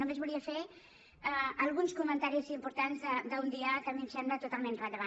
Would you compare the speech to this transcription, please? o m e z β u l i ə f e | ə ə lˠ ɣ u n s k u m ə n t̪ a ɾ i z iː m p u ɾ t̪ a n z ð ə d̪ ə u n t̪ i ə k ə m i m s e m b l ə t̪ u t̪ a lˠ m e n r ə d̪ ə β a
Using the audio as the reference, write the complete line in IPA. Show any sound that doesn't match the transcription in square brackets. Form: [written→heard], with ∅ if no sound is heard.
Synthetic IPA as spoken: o m e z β u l i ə f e | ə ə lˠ ɣ u n s k u m ə n t̪ a ɾ i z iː m p u ɾ t̪ a n z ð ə d̪ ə u n [t̪→d̪] i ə k ə m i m s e m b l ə t̪ u t̪ a lˠ m e n r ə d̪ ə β a